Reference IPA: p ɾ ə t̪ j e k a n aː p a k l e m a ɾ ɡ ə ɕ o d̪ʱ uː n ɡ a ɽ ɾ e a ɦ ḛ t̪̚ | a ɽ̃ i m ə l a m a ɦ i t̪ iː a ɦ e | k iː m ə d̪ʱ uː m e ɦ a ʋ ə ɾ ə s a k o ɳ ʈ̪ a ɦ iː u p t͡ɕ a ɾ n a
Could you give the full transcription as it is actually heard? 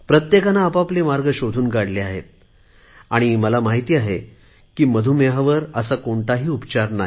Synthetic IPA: p ɾ ə t̪ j e k a n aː p a p l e m a ɾ ɡ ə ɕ o d̪ʱ uː n ɡ a ɽ l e a ɦ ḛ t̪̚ | a ɽ̃ i m ə l a m a ɦ i t̪ iː a ɦ e | k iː m ə d̪ʱ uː m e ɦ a ʋ ə ɾ ə s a k o ɳ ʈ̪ a ɦ iː u p t͡ɕ a ɾ n a

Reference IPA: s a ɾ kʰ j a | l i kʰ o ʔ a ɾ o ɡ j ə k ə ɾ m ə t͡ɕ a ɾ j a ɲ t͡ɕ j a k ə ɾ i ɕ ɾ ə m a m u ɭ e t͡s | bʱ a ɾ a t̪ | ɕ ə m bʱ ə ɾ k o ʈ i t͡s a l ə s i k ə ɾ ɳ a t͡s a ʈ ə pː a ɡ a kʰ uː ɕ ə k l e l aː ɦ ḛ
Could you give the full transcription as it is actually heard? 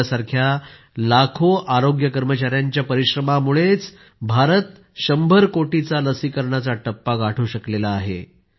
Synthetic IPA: s a ɾ kʰ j a | l a kʰ o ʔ a ɾ o ɡ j ə k ə ɾ m ə t͡ɕ a ɾ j a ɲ t͡ɕ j a p ə ɾ i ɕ ɾ ə m a m u ɭ e t͡s | bʱ a ɾ ə t̪ | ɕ ə m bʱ ə ɾ k o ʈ i t͡s a l ə s i k ə ɾ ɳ a t͡s a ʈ ə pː a ɡ a ʈʰ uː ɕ ə k l e l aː ɦ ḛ

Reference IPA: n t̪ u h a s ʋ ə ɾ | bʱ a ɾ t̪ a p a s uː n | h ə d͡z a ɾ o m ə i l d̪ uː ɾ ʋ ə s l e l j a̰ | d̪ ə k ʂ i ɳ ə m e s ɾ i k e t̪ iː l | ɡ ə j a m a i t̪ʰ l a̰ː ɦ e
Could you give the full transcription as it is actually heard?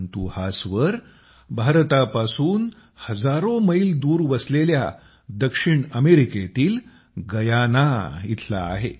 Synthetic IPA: n t̪ u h a s ʋ ə ɾ | bʱ a ɾ t̪ a p a s uː n | h ə d͡z a ɾ o m ə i l d̪ uː ɾ ʋ ə s l e l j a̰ | d̪ ə k ʂ i ɳ ə m e ɾ i k e t̪ iː l | ɡ ə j a n a i t̪ʰ l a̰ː ɦ e

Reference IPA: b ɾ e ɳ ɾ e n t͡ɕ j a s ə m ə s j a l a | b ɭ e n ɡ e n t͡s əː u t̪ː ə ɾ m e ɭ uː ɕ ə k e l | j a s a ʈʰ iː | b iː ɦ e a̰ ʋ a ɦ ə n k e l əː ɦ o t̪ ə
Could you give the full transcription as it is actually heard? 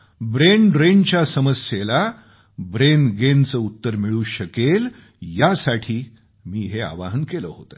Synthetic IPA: b ɾ e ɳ ɾ e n t͡ɕ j a s ə m ə s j e l a | b ɾ e n ɡ e n t͡s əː u t̪ː ə ɾ m i ɭ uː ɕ ə k e l | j a s a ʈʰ iː | m iː ɦ e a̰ ʋ a ɦ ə n k e l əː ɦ o t̪ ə

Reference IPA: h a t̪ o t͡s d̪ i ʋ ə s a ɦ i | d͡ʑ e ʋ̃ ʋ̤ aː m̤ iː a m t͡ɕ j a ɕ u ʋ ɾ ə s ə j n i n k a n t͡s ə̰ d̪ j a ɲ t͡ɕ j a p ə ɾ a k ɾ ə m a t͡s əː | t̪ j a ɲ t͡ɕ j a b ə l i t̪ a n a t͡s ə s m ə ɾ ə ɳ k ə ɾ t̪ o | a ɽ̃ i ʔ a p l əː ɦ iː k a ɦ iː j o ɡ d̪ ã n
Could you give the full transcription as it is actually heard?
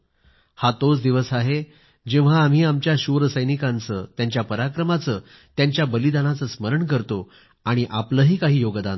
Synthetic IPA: h a t̪ o t͡s d̪ i ʋ ə s a ɦ e | d͡ʑ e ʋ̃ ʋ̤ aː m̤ iː a m t͡ɕ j a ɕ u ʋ ɾ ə s ə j n i k a n t͡s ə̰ t̪ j a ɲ t͡ɕ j a p ə ɾ a k ɾ ə m a t͡s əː | t̪ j a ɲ t͡ɕ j a b ə l i d̪ a n a t͡s ə s m ə ɾ ə ɳ k ə ɾ t̪ o | a ɽ̃ i ʔ a p l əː ɦ iː k a ɦ iː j o ɡ d̪ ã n

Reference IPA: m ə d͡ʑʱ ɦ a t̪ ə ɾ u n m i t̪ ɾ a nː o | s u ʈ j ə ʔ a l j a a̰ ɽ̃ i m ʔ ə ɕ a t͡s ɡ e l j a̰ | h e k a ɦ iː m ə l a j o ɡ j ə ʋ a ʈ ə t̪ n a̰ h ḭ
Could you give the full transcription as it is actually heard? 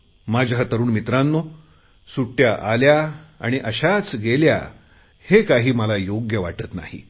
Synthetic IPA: m a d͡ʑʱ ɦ a t̪ ə ɾ uː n m i t̪ ɾ a nː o | s u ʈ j a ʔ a l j a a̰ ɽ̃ i ʔ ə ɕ a t͡s ɡ e l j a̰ | h e k a ɦ iː m ə l a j o ɡ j ə ʋ a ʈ ə t̪ n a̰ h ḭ

